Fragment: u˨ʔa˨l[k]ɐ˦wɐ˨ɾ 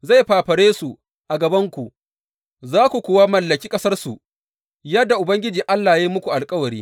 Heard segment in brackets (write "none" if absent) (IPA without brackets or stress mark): kʼ